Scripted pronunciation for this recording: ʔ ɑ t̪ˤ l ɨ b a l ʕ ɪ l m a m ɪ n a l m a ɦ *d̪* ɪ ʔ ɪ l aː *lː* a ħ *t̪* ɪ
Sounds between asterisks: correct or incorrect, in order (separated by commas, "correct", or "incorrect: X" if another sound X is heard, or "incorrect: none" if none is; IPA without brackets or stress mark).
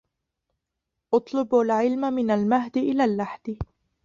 correct, correct, incorrect: d̪